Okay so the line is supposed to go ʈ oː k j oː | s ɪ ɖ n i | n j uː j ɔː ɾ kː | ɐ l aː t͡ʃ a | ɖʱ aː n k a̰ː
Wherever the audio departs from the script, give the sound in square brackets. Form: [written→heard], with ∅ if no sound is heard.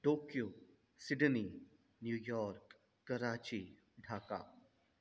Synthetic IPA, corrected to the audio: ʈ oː k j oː | s ɪ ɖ n i | n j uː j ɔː ɾ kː | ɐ [l→ɾ] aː t͡ʃ [a→i] | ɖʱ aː [n→∅] k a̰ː